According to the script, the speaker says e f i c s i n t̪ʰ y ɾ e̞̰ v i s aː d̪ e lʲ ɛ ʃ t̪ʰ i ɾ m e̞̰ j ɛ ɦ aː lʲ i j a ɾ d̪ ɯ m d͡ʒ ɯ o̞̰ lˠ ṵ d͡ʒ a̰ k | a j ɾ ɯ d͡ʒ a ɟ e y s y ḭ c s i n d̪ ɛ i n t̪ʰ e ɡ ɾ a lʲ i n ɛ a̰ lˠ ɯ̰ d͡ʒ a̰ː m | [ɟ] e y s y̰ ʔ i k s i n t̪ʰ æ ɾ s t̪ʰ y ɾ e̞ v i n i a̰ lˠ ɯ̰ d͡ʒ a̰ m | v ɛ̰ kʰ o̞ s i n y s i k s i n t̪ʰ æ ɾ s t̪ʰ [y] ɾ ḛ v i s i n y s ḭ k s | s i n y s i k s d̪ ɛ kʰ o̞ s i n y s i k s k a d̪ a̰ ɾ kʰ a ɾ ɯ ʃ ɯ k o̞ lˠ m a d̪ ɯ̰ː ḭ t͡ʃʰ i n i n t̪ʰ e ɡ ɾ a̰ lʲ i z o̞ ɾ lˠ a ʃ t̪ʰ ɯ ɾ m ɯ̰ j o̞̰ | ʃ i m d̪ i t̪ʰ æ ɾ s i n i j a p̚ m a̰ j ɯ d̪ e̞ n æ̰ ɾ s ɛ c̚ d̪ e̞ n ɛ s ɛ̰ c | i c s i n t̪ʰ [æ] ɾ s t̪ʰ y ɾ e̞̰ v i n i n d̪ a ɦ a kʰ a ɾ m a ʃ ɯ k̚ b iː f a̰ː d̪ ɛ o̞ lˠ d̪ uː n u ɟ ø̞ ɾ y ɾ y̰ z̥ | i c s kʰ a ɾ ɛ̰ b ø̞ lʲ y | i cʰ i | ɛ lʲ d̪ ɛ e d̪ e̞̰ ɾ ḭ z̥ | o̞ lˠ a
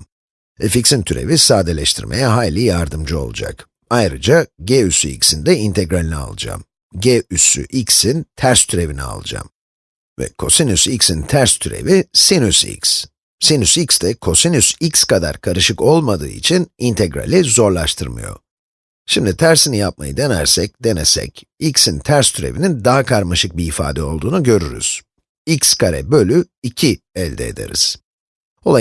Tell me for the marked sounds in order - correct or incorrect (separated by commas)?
correct, correct, correct